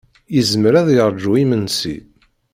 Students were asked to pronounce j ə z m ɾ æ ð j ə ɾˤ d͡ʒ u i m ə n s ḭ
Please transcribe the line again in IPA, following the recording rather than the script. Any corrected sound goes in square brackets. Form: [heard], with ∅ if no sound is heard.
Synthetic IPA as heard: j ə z m ɾ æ ð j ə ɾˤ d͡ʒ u i m ə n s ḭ